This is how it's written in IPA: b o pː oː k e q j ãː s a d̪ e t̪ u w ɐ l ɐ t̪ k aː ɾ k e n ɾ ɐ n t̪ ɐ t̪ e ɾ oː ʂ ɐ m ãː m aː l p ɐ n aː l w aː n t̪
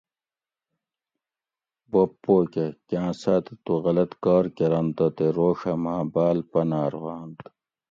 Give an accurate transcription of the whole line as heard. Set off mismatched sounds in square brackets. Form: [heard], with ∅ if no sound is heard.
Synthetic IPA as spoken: b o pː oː k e [k] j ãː s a [t̪] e t̪ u [ɣ] ɐ l ɐ t̪ k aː ɾ k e [∅] ɾ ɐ n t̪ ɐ t̪ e ɾ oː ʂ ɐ m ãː [b] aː l p ɐ n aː [ɾ] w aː n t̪

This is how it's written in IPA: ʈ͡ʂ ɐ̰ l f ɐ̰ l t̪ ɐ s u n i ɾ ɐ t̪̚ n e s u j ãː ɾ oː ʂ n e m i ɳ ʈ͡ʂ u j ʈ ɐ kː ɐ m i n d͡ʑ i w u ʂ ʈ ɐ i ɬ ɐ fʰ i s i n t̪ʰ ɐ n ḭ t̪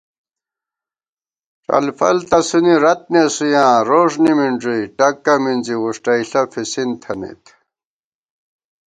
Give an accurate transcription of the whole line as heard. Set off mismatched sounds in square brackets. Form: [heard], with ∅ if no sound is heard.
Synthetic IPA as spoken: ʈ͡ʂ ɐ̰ l f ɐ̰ l t̪ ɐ s u n i ɾ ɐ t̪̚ n e s u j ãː ɾ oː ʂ n [i] m i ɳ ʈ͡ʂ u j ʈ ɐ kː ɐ m i n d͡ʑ i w u ʂ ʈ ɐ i ɬ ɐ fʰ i s i n t̪ʰ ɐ n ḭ t̪

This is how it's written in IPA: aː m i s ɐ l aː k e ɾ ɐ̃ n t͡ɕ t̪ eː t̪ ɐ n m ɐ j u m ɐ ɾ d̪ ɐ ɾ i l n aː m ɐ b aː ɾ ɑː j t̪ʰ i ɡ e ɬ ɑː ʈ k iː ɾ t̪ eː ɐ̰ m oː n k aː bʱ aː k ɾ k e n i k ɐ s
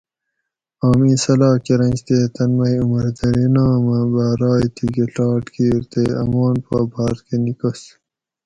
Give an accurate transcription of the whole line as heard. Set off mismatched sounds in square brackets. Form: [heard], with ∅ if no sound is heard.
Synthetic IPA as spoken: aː m i s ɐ l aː k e ɾ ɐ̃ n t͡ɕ t̪ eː t̪ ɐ n m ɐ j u m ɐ ɾ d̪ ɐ ɾ i [∅] n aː m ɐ b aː ɾ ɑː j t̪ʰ i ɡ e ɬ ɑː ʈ k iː ɾ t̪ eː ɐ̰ m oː n [p] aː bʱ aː [∅] ɾ k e n i k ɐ s

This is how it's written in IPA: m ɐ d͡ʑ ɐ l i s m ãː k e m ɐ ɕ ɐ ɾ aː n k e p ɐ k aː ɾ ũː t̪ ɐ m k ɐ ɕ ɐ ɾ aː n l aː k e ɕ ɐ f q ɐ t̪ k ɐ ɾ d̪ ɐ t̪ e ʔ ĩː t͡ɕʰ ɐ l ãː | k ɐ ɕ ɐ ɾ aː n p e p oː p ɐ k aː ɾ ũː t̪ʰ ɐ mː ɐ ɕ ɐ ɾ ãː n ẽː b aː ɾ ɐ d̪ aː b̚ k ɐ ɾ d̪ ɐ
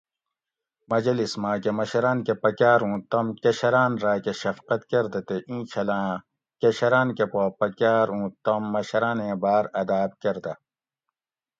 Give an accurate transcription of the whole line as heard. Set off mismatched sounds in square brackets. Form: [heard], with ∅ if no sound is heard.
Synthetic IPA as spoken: m ɐ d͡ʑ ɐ l i s m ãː k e m ɐ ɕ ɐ ɾ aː n k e p ɐ k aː ɾ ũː t̪ ɐ m k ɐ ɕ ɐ ɾ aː n [ɾ] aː k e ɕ ɐ f q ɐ t̪ k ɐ ɾ d̪ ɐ t̪ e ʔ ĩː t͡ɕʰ ɐ l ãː | k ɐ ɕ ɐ ɾ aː n [k] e p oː p ɐ k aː ɾ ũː [t̪] ɐ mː ɐ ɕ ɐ ɾ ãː n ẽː b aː ɾ ɐ d̪ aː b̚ k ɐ ɾ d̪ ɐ

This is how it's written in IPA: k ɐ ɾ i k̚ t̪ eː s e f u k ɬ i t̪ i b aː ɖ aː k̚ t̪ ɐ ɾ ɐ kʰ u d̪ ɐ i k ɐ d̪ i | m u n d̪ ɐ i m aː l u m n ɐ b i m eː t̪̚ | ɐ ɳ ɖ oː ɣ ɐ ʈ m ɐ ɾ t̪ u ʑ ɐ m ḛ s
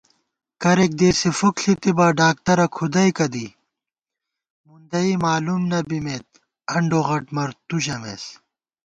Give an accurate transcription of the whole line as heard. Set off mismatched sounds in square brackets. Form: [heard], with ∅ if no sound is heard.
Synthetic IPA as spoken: k ɐ ɾ [e] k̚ [d̪] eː s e f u k ɬ i t̪ i b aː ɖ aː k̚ t̪ ɐ ɾ ɐ kʰ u d̪ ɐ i k ɐ d̪ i | m u n d̪ ɐ i m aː l u m n ɐ b i m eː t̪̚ | ɐ ɳ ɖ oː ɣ ɐ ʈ m ɐ ɾ t̪ u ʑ ɐ m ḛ s

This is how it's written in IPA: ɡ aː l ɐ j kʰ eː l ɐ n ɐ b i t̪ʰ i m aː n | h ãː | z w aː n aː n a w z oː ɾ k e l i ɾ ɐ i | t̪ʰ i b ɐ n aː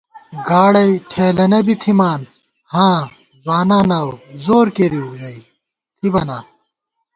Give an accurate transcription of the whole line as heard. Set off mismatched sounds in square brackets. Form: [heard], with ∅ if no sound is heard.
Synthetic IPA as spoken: ɡ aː [ɽ] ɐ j [ʈʰ] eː l ɐ n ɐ b i t̪ʰ i m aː n | h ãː | z w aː n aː n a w z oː ɾ k e [ɾ] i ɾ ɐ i | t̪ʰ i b ɐ n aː

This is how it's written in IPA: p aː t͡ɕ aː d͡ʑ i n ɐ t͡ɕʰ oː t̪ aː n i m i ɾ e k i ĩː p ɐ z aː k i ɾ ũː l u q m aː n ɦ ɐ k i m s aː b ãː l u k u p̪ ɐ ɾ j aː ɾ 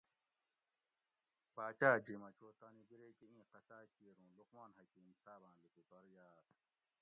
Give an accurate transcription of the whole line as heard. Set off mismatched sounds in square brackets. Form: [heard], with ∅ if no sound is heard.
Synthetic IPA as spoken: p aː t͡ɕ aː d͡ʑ i [m] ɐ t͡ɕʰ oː t̪ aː n i [b] i ɾ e k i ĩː [q] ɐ [s] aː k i ɾ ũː l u q m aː n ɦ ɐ k i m s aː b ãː l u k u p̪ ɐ ɾ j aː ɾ

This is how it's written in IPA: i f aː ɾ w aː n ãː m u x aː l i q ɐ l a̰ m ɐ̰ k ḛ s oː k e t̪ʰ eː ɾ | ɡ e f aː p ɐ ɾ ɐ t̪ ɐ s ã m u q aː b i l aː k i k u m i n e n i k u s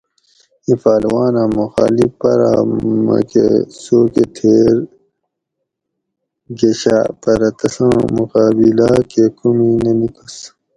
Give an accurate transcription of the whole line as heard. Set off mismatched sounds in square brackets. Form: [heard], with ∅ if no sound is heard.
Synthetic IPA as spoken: i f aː [l] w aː n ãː m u x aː l i [p] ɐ [ɾ] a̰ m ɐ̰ k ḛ s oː k e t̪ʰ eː ɾ | ɡ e [ɕ] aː p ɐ ɾ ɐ t̪ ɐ s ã m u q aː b i l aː k [e] k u m i n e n i k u s

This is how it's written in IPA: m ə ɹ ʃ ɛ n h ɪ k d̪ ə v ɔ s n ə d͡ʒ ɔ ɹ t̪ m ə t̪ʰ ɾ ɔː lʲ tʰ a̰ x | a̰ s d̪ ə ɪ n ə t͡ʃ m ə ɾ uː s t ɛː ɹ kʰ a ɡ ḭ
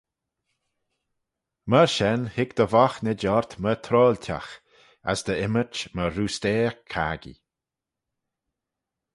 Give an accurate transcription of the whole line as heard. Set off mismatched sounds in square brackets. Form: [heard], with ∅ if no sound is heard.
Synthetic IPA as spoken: m ə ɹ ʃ ɛ n h ɪ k d̪ ə v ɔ [x] n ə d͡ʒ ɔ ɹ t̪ m ə t̪ʰ ɾ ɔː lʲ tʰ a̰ x | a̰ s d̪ ə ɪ [m] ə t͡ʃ m ə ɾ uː s t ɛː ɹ kʰ a ɡ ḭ

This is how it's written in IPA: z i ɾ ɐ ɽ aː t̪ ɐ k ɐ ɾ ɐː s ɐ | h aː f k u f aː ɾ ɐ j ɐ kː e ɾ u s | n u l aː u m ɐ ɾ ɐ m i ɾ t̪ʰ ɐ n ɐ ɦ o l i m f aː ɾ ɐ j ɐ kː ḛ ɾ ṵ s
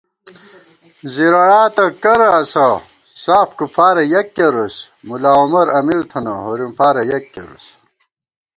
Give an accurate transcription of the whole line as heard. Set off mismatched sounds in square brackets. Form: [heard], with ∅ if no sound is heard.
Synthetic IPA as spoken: z i ɾ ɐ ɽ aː t̪ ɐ k ɐ ɾ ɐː s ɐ | [s] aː f k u f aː ɾ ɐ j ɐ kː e ɾ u s | [m] u l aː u m ɐ ɾ ɐ m i ɾ t̪ʰ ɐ n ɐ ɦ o [ɾ] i m f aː ɾ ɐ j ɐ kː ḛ ɾ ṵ s

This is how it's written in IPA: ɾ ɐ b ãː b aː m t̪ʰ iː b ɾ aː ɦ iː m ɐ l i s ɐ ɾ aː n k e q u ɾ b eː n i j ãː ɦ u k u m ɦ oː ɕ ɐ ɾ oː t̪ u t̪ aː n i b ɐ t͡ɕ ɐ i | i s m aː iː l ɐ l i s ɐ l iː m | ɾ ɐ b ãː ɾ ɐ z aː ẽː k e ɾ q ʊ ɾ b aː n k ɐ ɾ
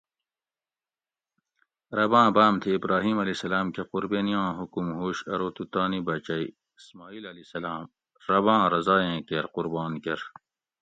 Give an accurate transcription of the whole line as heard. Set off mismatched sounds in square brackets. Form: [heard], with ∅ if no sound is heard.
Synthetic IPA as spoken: ɾ ɐ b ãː b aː m t̪ʰ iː b ɾ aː ɦ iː m ɐ l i s ɐ [l] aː [m] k e q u ɾ b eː n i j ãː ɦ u k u m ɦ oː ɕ ɐ ɾ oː t̪ u t̪ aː n i b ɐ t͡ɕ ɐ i | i s m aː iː l ɐ l i s ɐ l [aː] m | ɾ ɐ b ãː ɾ ɐ z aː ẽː k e ɾ q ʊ ɾ b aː n k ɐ ɾ

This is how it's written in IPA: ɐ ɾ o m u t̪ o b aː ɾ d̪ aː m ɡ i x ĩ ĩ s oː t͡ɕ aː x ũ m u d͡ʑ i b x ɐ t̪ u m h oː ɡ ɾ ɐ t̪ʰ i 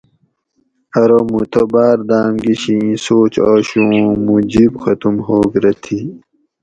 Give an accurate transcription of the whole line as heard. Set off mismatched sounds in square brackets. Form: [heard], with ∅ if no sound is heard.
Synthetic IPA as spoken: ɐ ɾ o m u t̪ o b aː ɾ d̪ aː m ɡ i [ɕ] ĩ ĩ s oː t͡ɕ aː [ɕ] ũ m u d͡ʑ i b x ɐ t̪ u m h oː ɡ ɾ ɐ t̪ʰ i

